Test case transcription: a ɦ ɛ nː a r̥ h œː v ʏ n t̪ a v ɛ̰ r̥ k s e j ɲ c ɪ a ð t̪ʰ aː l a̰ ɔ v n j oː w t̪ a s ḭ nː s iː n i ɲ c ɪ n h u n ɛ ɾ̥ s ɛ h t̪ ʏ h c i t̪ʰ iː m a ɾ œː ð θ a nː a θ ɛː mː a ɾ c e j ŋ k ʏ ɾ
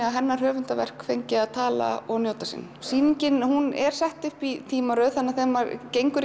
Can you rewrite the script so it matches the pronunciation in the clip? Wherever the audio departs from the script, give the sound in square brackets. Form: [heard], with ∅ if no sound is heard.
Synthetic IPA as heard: a ɦ ɛ nː a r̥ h œː v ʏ n t̪ a v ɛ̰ r̥ k [f] e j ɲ c ɪ a ð t̪ʰ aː l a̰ ɔ [ɣ] n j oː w t̪ a s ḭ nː s iː n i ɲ c ɪ n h u n ɛ ɾ̥ s ɛ h t̪ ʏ h [p] i t̪ʰ iː m a ɾ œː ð θ a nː a θ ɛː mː a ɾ c e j ŋ k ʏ ɾ